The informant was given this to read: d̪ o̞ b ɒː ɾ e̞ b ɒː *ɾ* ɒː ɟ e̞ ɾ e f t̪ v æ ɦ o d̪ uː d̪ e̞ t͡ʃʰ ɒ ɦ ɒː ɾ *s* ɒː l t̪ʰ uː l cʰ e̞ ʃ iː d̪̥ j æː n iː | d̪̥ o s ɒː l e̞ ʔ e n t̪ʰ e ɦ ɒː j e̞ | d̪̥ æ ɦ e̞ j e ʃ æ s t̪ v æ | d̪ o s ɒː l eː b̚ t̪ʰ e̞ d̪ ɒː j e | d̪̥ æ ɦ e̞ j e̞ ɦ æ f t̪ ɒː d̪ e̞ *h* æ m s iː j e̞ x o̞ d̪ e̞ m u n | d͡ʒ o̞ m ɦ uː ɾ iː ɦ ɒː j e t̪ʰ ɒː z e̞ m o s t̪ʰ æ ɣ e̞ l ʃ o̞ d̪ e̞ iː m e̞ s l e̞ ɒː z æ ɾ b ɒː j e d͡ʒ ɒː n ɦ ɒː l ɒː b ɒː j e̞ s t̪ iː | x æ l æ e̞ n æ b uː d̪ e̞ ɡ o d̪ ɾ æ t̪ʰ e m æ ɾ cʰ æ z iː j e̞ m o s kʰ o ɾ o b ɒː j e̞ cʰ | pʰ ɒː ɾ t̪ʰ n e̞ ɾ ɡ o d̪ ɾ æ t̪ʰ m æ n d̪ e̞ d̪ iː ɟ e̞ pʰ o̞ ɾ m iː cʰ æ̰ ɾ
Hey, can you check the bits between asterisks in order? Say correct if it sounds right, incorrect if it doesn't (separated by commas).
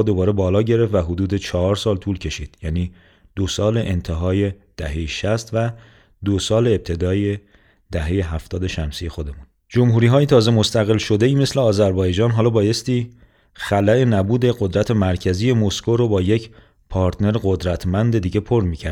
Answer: incorrect, correct, incorrect